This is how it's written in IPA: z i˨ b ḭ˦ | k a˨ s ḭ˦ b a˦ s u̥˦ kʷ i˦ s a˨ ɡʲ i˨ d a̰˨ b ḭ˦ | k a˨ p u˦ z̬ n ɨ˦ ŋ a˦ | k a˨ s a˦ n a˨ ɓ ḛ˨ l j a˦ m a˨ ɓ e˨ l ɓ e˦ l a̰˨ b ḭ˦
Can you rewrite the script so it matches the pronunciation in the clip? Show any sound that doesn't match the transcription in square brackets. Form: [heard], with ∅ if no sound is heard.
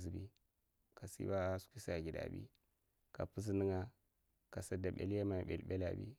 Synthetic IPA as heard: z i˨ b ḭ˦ | k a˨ s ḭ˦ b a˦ s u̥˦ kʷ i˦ s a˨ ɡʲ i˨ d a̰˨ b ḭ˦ | k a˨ p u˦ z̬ n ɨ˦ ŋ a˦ | k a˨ s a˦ [d] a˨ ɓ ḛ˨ l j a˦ m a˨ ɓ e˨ l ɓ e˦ l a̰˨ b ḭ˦